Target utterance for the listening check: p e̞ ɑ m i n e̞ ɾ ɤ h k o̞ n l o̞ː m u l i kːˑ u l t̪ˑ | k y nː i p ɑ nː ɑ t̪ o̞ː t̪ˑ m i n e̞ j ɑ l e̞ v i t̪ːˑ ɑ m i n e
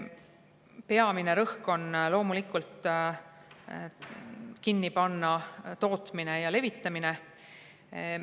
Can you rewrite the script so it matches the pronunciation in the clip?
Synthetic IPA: p e̞ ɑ m i n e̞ ɾ ɤ h k o̞ n l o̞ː m u l i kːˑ u l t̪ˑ | k i nː i p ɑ nː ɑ t̪ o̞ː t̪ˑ m i n e̞ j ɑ l e̞ v i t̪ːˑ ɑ m i n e